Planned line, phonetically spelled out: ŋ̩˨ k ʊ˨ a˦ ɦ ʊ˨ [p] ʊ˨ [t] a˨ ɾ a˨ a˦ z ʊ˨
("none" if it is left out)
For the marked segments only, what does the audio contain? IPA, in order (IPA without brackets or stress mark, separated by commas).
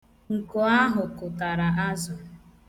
k, t